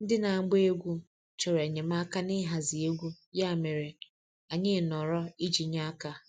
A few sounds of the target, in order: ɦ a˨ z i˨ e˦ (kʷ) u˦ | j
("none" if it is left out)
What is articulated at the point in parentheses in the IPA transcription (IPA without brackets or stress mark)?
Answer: ɡʷ